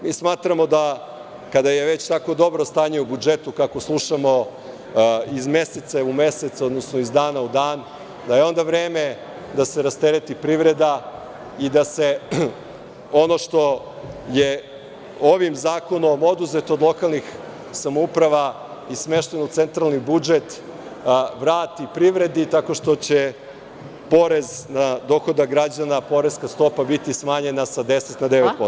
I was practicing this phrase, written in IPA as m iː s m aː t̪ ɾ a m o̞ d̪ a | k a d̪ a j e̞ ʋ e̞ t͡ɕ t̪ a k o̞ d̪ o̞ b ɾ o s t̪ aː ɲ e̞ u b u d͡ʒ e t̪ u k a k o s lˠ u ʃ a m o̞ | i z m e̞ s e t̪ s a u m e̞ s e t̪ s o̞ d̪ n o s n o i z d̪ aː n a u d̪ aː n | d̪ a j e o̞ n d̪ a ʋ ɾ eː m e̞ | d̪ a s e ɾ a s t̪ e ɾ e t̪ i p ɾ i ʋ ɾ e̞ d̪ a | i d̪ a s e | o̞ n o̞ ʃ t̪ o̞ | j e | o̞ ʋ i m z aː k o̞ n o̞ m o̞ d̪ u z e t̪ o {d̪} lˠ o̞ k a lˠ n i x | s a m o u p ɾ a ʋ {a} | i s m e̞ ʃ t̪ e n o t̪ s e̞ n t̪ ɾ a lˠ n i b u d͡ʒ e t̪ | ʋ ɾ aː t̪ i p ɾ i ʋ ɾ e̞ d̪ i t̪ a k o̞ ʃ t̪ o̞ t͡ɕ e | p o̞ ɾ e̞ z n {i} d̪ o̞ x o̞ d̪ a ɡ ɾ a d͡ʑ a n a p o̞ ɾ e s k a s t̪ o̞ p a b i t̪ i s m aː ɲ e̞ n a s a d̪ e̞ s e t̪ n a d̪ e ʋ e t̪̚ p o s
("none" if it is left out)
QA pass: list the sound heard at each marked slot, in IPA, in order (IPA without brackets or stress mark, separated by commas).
d̪, a, a